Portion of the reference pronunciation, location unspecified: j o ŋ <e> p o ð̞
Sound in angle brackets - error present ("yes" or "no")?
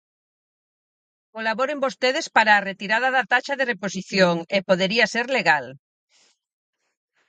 no